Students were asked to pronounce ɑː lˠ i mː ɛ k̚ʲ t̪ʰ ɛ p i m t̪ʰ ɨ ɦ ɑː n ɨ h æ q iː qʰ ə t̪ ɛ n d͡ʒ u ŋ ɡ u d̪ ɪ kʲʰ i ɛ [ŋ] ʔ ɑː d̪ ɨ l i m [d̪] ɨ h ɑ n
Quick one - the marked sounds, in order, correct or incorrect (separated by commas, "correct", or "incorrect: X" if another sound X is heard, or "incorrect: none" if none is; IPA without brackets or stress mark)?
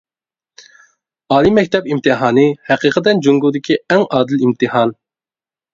correct, incorrect: t̪